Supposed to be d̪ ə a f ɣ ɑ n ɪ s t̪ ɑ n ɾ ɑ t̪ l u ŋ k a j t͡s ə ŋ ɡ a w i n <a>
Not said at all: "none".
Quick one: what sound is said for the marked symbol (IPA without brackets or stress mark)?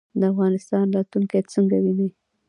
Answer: i